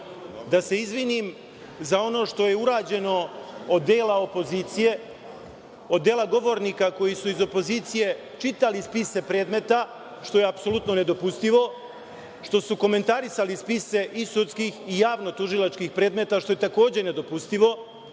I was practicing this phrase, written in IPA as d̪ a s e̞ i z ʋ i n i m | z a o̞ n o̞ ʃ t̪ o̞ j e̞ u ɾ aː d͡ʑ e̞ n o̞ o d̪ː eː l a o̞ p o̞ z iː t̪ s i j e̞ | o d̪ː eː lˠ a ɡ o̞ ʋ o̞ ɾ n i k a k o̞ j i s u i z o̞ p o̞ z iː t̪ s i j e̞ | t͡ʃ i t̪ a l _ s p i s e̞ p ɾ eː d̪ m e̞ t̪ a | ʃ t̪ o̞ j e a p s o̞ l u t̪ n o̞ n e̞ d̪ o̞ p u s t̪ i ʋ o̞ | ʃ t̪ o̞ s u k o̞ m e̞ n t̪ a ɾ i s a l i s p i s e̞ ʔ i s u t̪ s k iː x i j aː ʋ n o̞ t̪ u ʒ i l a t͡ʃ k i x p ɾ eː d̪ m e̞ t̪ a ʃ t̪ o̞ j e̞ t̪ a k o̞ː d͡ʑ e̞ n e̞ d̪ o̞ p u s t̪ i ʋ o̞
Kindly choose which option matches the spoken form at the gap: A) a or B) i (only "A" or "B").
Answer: B